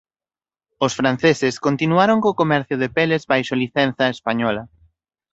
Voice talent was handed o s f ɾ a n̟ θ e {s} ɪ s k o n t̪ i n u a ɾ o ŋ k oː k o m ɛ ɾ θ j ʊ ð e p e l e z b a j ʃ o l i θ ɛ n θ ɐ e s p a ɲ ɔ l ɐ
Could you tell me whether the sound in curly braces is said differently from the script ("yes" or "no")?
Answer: no